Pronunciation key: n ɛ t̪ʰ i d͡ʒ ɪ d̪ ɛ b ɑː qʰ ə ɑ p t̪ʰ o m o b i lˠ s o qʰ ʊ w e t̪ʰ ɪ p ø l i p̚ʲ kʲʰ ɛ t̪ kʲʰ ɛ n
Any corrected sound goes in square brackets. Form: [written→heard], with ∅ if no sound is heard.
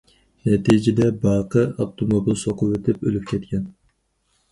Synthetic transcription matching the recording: n ɛ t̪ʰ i d͡ʒ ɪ d̪ ɛ b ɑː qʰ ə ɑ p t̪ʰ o m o b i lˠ s o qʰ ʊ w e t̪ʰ ɪ p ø l [i→y] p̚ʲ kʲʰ ɛ t̪ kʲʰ ɛ n